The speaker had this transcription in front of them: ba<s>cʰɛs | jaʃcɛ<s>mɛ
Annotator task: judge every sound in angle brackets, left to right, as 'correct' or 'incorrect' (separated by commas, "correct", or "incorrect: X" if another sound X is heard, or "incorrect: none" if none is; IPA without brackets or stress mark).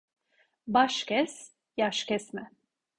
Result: incorrect: ʃ, correct